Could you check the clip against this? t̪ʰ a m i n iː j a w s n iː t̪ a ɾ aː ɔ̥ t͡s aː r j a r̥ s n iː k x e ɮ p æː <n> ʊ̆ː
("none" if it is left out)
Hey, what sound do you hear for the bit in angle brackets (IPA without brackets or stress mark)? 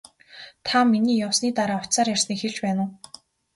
n